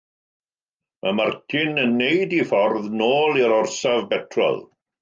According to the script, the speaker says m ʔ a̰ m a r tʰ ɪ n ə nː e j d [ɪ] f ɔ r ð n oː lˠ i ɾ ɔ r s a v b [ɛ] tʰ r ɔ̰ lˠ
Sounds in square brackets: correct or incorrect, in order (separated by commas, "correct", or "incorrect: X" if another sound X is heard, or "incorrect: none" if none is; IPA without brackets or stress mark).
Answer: incorrect: i, correct